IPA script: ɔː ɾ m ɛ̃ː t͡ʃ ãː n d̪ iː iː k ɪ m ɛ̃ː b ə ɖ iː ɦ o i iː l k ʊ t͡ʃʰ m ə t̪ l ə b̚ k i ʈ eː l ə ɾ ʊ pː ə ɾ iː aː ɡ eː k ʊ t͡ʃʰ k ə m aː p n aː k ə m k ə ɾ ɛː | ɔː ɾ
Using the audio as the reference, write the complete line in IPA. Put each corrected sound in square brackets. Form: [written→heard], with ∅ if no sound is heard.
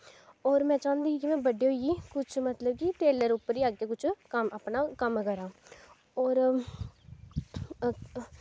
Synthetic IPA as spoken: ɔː ɾ m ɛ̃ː t͡ʃ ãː n d̪ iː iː k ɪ m ɛ̃ː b ə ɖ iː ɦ o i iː [l→∅] k ʊ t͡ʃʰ m ə t̪ l ə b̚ k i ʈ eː l ə ɾ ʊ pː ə ɾ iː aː ɡ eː k ʊ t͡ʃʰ k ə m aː p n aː k ə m k ə ɾ [ɛː→aː] | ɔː ɾ